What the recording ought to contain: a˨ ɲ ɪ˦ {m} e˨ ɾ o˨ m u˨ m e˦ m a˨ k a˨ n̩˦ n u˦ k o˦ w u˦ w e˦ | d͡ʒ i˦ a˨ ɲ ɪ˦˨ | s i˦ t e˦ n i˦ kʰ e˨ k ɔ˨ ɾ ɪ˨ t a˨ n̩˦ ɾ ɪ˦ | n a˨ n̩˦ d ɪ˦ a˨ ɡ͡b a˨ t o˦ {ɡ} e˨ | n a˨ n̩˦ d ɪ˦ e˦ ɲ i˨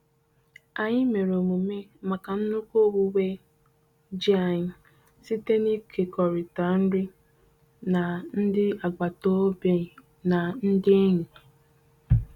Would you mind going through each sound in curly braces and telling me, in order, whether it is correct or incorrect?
correct, incorrect: b

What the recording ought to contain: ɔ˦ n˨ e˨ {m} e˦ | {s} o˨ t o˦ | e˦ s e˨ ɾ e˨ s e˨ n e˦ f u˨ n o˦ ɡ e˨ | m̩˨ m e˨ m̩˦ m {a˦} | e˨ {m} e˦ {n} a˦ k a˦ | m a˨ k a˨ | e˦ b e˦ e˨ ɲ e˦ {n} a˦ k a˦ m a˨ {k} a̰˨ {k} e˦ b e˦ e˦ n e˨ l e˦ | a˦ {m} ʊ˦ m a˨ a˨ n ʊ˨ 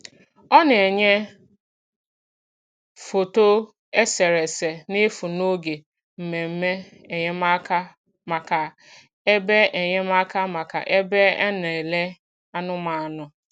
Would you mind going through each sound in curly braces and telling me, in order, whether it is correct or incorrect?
incorrect: ɲ, incorrect: f, incorrect: e˦, incorrect: ɲ, incorrect: m, incorrect: m, correct, incorrect: ʔ, incorrect: n

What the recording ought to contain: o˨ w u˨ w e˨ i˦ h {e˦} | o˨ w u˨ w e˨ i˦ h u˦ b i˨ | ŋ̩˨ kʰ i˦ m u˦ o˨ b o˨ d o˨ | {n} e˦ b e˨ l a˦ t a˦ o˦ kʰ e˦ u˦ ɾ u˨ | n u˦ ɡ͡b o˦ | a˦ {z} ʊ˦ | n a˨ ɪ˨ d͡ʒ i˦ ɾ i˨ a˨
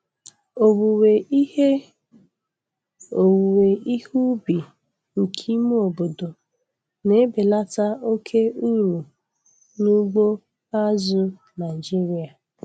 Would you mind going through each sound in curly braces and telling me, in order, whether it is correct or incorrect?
correct, correct, correct

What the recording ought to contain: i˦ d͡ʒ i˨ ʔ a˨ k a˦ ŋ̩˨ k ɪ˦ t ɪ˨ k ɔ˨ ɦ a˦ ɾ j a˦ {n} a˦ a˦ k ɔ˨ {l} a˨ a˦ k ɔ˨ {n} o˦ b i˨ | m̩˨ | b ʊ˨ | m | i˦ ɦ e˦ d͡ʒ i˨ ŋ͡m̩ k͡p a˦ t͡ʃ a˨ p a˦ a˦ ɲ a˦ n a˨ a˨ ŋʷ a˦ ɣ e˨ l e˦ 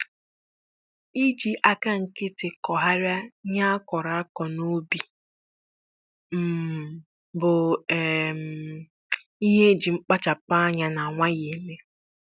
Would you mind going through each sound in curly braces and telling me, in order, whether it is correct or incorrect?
incorrect: ɲ, incorrect: ɾ, correct

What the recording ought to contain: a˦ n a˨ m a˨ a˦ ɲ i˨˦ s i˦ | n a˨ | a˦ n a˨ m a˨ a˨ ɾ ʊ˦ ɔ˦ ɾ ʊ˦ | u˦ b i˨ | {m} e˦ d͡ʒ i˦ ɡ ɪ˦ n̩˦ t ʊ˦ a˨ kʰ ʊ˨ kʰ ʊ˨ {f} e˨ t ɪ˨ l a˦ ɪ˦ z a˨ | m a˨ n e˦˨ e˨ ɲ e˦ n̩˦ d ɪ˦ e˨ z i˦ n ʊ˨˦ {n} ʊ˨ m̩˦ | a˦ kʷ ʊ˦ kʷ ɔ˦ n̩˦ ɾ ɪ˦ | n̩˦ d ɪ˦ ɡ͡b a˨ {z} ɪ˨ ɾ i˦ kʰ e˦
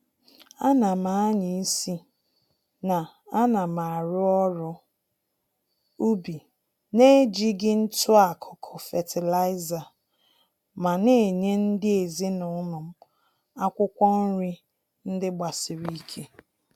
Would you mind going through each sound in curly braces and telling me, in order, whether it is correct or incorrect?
incorrect: n, correct, correct, incorrect: s

